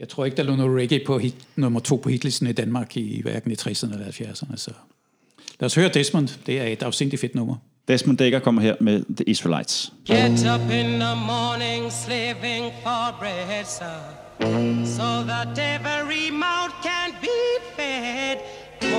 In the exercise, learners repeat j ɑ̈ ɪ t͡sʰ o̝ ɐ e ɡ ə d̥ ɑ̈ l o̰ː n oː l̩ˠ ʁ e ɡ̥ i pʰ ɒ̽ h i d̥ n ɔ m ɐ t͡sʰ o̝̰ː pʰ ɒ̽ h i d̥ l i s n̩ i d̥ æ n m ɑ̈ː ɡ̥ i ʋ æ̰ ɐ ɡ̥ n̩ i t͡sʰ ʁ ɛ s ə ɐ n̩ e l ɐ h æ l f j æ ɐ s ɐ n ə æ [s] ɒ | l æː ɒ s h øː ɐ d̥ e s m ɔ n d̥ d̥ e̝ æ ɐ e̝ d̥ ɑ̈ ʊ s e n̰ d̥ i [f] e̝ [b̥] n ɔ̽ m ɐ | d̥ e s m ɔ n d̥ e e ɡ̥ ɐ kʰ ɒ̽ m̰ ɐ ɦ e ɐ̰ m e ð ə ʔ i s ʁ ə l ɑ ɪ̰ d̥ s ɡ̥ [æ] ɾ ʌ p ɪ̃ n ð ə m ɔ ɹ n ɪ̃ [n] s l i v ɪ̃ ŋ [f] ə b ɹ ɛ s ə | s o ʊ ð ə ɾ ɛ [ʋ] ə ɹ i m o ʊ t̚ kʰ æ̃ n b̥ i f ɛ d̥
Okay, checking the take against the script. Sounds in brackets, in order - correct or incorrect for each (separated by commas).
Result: correct, correct, incorrect, incorrect, incorrect, correct, incorrect